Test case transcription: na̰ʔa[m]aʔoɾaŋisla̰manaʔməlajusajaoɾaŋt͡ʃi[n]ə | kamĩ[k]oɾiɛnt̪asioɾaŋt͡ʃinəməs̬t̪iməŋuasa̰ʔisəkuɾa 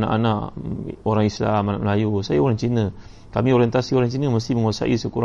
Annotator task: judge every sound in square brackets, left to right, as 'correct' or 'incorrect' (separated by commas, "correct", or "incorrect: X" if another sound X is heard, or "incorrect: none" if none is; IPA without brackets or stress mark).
incorrect: n, correct, incorrect: none